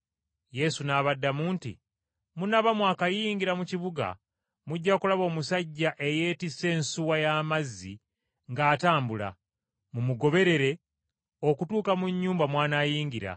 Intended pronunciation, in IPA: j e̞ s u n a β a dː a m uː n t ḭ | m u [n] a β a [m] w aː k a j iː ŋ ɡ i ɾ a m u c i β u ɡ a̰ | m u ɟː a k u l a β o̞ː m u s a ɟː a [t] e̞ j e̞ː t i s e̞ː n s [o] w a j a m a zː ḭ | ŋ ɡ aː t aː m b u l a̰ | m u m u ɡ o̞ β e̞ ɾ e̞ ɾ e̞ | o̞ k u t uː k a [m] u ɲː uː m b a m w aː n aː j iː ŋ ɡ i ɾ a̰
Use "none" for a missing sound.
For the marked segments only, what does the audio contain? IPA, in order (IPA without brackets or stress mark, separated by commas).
n, m, ʔ, u, m